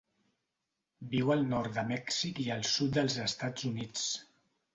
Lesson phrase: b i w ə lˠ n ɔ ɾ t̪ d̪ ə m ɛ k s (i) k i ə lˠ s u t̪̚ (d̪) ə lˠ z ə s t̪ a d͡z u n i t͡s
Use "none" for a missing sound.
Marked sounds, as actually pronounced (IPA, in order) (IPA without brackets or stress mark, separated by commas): i, d̪